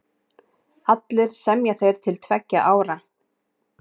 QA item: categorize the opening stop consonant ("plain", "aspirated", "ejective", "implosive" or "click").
plain